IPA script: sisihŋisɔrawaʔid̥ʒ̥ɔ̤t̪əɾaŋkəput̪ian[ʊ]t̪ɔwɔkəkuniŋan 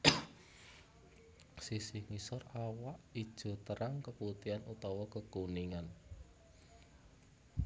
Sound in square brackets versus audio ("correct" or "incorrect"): incorrect